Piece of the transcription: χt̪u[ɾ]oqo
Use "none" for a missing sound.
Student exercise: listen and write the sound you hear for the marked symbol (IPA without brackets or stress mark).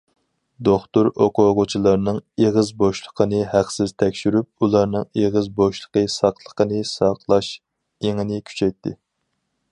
ɾ